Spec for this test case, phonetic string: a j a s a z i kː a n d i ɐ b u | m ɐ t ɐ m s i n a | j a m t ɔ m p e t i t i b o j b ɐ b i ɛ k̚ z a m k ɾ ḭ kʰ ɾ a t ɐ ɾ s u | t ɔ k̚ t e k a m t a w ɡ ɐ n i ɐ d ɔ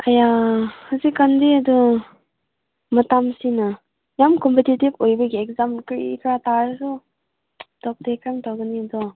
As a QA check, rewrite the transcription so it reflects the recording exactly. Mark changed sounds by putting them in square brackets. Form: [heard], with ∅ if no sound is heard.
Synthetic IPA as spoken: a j a [h] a z i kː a n d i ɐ [d] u | m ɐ t [a] m s i n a | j a m [k] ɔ m p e t i t i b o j b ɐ [ɡ] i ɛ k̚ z a m k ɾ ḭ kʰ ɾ a t [a] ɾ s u | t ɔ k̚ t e k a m t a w ɡ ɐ n i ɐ d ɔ